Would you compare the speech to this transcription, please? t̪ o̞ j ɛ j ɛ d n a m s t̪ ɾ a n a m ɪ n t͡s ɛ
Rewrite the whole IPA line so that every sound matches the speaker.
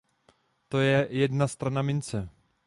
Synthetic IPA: t̪ o̞ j ɛ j ɛ d n a s t̪ ɾ a n a m ɪ n t͡s ɛ